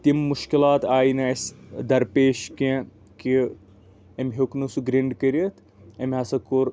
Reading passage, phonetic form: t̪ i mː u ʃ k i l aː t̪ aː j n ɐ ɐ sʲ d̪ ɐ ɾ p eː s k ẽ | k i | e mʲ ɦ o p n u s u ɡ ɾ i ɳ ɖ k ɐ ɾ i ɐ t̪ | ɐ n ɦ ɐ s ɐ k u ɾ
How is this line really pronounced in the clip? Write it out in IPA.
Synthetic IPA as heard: t̪ i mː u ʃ k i l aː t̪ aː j n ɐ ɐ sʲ d̪ ɐ ɾ p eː ʃ k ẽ | k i | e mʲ ɦ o k n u s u ɡ ɾ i ɳ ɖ k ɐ ɾ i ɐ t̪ | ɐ m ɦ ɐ s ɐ k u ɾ